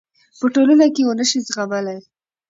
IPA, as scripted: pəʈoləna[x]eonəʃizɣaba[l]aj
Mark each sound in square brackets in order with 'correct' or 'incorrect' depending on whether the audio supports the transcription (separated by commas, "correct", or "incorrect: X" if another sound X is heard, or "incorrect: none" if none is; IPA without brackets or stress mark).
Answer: incorrect: k, correct